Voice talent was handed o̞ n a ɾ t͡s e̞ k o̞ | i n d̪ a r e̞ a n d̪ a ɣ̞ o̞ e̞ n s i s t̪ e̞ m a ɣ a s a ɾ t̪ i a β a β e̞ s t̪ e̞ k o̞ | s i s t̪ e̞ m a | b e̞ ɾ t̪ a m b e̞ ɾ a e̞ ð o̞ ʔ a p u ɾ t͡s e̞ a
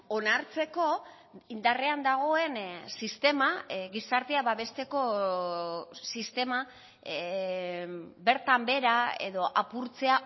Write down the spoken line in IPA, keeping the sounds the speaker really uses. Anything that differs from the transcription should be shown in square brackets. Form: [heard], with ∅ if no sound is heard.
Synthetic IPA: o̞ n a ɾ t͡s e̞ k o̞ | i n d̪ a r e̞ a n d̪ a ɣ̞ o̞ e̞ n s i s t̪ e̞ m a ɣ [i] s a ɾ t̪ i a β a β e̞ s t̪ e̞ k o̞ | s i s t̪ e̞ m a | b e̞ ɾ t̪ a m b e̞ ɾ a e̞ ð o̞ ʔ a p u ɾ t͡s e̞ a